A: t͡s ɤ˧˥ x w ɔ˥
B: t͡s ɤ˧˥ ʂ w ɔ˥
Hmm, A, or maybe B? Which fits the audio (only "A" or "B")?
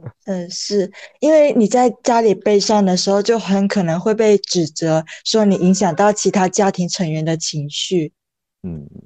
B